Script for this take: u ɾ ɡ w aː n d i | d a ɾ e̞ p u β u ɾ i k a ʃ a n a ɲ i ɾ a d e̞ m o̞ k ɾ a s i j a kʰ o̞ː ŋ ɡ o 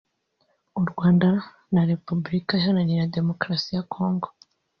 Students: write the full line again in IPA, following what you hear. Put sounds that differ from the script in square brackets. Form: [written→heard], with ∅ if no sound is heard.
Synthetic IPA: u ɾ ɡ w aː n d [i→a] | [d→n] a ɾ e̞ p u [β→b] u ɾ i k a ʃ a n a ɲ i ɾ a d e̞ m o̞ k ɾ a s i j a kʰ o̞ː ŋ ɡ o